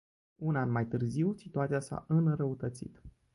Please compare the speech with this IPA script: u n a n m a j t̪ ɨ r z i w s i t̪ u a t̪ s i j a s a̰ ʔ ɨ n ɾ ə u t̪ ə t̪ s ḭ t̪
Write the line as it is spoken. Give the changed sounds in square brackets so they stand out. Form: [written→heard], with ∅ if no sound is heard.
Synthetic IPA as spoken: u n a n m a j t̪ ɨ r z i w s i t̪ u a t̪ s i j a s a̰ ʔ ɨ n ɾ ə u t̪ ə t̪ s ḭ t̪